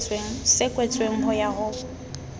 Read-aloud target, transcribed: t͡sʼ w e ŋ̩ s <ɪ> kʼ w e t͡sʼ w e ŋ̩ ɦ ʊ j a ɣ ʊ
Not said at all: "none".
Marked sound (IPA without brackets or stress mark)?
ɪ